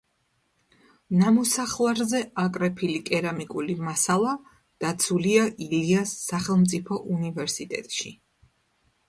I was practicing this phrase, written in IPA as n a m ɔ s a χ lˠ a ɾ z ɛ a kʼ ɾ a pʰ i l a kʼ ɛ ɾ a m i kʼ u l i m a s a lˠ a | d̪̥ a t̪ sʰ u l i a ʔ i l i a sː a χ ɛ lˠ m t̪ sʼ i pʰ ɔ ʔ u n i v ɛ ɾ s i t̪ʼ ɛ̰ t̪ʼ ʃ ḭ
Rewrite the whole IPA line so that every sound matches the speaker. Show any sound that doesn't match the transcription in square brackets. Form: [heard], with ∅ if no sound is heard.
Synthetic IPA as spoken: n a m ɔ s a χ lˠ a ɾ z ɛ a kʼ ɾ [ɛ] pʰ i l [i] kʼ ɛ ɾ a m i kʼ u l i m a s a lˠ a | d̪̥ a t̪ sʰ u l i a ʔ i l i a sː a χ ɛ lˠ m t̪ sʼ i pʰ ɔ ʔ u n i v ɛ ɾ s i t̪ʼ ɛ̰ t̪ʼ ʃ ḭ

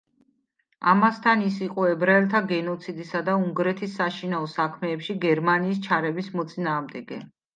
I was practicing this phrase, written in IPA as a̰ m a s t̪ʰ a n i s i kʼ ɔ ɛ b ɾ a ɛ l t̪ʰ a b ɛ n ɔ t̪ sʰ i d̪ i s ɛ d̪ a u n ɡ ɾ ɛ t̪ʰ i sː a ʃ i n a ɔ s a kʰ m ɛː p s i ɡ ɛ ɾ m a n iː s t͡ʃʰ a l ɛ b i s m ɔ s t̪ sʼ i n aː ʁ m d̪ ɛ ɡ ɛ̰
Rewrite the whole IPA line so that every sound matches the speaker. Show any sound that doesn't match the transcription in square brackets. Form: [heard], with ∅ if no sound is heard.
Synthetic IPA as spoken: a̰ m a s t̪ʰ a n i s i [qʼ] ɔ ɛ b ɾ a ɛ l t̪ʰ a [ɡ] ɛ n ɔ t̪ sʰ i d̪ i s [a] d̪ a u [ŋ] ɡ ɾ ɛ t̪ʰ i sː a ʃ i n a ɔ s a kʰ m ɛː p [ʃ] i ɡ ɛ ɾ m a n iː s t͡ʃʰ a [ɾ] ɛ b i s m ɔ [∅] t̪ sʼ i n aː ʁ m d̪ ɛ ɡ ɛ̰

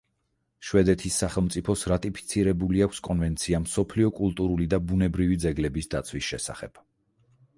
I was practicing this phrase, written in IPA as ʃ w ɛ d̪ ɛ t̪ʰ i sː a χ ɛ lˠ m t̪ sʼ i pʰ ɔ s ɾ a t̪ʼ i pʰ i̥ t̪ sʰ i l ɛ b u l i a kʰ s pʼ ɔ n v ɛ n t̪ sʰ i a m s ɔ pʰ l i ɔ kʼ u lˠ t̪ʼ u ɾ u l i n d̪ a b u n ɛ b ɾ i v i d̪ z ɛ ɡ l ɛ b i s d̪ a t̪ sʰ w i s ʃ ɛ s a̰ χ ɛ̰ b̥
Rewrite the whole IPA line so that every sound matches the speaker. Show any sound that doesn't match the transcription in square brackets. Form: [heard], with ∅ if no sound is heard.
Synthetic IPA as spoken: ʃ w ɛ d̪ ɛ t̪ʰ i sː a χ ɛ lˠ m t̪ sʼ i pʰ ɔ s ɾ a t̪ʼ i pʰ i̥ t̪ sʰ i [ɾ] ɛ b u l i a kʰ s [kʼ] ɔ n v ɛ n t̪ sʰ i a m s ɔ pʰ l i ɔ kʼ u lˠ t̪ʼ u ɾ u l i [∅] d̪ a b u n ɛ b ɾ i v i d̪ z ɛ ɡ l ɛ b i s d̪ a t̪ sʰ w i s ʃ ɛ s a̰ χ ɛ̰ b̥

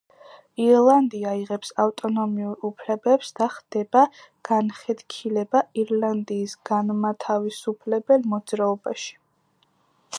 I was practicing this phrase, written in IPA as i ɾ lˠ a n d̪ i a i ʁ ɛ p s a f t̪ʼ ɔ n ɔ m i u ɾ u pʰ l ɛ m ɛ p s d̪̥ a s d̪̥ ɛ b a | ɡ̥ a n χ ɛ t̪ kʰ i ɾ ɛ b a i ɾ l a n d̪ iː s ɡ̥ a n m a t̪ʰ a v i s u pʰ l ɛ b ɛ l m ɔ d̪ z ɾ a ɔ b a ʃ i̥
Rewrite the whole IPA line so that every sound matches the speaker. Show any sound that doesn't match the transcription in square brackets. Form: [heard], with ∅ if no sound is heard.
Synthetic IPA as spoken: i ɾ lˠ a n d̪ i a i ʁ ɛ p s a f t̪ʼ ɔ n ɔ m i u ɾ u pʰ l ɛ [b] ɛ p s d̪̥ a [χ] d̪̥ ɛ b a | ɡ̥ a n χ ɛ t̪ kʰ i [l] ɛ b a i ɾ l a n d̪ iː s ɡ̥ a n m a t̪ʰ a v i s u pʰ l ɛ b ɛ l m ɔ d̪ z ɾ a ɔ b a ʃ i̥

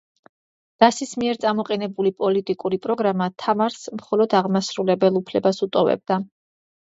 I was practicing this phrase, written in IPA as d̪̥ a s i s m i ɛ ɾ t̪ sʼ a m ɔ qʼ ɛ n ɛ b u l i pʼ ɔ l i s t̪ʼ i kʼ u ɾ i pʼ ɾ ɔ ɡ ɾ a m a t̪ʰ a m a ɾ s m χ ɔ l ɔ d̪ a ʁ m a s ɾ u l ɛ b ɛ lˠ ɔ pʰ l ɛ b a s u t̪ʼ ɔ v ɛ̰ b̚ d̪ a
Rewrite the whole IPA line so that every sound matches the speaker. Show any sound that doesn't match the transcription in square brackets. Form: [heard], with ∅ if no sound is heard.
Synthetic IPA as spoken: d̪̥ a s i s m i ɛ ɾ t̪ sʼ a m ɔ qʼ ɛ n ɛ b u l i pʼ ɔ l i [∅] t̪ʼ i kʼ u ɾ i pʼ ɾ ɔ ɡ ɾ a m a t̪ʰ a m a ɾ s m χ ɔ l ɔ d̪ a ʁ m a s ɾ u l ɛ b ɛ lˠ [u] pʰ l ɛ b a s u t̪ʼ ɔ v ɛ̰ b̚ d̪ a

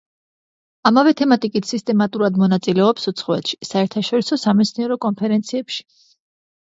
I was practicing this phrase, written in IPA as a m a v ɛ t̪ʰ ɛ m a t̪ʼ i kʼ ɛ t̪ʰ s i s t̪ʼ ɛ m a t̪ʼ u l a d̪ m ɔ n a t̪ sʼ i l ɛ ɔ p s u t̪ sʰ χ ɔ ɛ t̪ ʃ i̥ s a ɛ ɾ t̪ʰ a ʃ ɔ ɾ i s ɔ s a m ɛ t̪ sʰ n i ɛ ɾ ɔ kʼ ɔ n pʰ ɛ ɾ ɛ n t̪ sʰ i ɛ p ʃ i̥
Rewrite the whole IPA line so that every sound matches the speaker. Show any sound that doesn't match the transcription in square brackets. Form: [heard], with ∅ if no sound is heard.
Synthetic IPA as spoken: a m a v ɛ t̪ʰ ɛ m a t̪ʼ i kʼ [i] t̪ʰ s i s t̪ʼ ɛ m a t̪ʼ u [ɾ] a d̪ m ɔ n a t̪ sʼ i l ɛ ɔ p s u t̪ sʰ χ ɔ ɛ t̪ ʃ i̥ s a ɛ ɾ t̪ʰ a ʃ ɔ ɾ i s ɔ s a m ɛ t̪ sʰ n i ɛ ɾ ɔ kʼ ɔ n pʰ ɛ ɾ ɛ n t̪ sʰ i ɛ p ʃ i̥

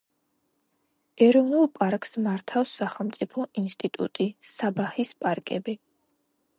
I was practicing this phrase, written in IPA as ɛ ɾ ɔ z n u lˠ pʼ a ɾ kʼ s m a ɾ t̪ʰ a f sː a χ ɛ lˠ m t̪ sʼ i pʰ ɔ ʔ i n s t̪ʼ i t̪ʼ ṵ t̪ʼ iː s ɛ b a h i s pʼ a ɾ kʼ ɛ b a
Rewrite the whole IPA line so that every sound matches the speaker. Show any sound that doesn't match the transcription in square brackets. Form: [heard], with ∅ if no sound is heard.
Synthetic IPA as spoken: ɛ ɾ ɔ [v] n u lˠ pʼ a ɾ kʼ s m a ɾ t̪ʰ a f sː a χ ɛ lˠ m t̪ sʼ i pʰ ɔ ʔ i n s t̪ʼ i t̪ʼ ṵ t̪ʼ [i] s [a] b a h i s pʼ a ɾ kʼ ɛ b [i]

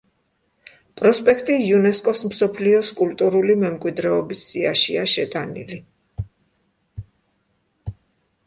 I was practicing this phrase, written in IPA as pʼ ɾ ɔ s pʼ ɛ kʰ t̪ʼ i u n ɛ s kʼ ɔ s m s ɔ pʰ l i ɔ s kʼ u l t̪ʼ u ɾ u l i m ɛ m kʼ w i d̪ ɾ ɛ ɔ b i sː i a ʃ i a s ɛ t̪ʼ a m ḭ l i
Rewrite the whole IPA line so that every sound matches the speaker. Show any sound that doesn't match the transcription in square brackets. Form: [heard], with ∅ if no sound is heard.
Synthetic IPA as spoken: pʼ ɾ ɔ s pʼ ɛ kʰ t̪ʼ i u n ɛ s kʼ ɔ s m s ɔ pʰ l i ɔ s kʼ u l t̪ʼ u ɾ u l i m ɛ m kʼ w i d̪ ɾ ɛ ɔ b i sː i a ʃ i a [ʃ] ɛ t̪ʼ a [n] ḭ l i

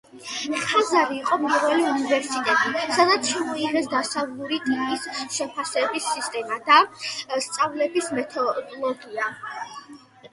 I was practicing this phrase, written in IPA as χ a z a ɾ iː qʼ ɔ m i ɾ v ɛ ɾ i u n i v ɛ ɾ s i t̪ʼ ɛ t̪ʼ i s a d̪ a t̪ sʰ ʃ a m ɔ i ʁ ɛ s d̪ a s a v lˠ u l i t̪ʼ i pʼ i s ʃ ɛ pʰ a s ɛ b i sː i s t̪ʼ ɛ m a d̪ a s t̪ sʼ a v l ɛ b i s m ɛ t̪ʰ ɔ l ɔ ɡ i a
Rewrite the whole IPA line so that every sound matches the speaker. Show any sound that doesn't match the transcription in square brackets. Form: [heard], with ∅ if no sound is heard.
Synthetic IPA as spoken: χ a z a ɾ iː qʼ ɔ m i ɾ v ɛ [l] i u n i v ɛ ɾ s i t̪ʼ ɛ t̪ʼ i s a d̪ a t̪ sʰ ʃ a m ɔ i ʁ ɛ s d̪ a s a v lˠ u [ɾ] i t̪ʼ i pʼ i s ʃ ɛ pʰ a s ɛ b i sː i s t̪ʼ ɛ m a d̪ a s t̪ sʼ a v l ɛ b i s m ɛ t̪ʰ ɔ l ɔ ɡ i a

